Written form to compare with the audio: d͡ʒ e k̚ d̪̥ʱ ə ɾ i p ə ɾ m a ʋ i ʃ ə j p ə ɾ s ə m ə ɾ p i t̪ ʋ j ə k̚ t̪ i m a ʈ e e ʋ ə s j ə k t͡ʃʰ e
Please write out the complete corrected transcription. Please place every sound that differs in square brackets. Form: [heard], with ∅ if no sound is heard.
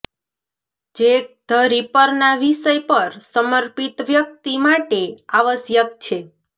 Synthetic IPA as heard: d͡ʒ e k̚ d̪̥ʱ ə ɾ i p ə ɾ [n] a ʋ i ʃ ə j p ə ɾ s ə m ə ɾ p i t̪ ʋ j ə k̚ t̪ i m a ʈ e [a] ʋ ə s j ə k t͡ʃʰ e